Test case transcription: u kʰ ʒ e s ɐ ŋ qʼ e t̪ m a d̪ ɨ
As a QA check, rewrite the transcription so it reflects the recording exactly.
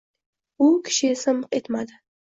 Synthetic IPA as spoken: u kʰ ʃ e s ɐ m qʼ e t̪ m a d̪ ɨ